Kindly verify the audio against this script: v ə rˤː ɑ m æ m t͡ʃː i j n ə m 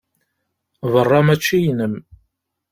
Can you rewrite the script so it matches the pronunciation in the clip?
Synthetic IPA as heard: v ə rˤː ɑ m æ t͡ʃː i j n ə m